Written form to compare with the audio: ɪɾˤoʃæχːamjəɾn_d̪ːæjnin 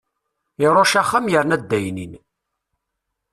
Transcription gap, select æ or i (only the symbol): æ